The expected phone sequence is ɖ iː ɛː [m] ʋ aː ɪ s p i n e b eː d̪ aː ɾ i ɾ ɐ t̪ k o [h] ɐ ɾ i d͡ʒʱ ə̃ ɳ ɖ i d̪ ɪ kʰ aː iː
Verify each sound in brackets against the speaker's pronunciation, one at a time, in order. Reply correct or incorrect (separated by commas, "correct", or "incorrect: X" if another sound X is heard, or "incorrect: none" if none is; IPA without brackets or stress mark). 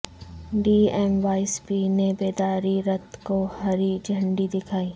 correct, correct